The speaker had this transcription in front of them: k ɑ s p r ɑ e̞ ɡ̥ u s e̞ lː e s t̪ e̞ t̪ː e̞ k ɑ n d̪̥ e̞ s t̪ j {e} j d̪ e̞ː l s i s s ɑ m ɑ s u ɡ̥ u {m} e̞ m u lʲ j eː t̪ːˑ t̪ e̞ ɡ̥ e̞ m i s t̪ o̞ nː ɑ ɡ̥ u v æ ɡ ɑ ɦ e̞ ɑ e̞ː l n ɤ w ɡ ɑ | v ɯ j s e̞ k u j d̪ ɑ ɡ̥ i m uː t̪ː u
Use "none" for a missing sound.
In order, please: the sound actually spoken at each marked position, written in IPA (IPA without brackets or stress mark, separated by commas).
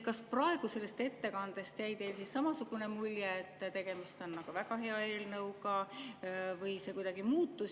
æ, n